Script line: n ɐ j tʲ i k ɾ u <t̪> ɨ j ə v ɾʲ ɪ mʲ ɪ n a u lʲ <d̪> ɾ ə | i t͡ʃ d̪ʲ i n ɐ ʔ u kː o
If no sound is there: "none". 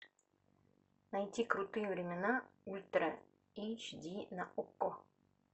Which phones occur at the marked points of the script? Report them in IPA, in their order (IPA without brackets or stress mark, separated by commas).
t̪, t̪